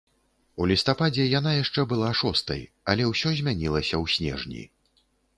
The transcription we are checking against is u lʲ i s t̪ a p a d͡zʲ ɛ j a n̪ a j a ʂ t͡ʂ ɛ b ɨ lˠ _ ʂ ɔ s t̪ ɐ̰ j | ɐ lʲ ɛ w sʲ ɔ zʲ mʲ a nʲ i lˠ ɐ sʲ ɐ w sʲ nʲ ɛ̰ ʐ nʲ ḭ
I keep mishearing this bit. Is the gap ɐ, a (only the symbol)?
a